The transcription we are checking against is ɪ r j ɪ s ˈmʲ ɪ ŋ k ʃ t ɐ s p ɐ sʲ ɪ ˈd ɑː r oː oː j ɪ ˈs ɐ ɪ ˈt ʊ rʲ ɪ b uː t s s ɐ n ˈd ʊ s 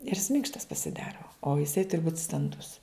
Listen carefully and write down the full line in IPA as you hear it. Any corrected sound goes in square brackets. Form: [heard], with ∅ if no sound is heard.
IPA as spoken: ɪ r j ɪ s ˈmʲ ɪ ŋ k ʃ t ɐ s p ɐ sʲ ɪ ˈd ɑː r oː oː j ɪ ˈs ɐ ɪ ˈt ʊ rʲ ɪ b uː t s [t] ɐ n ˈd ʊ s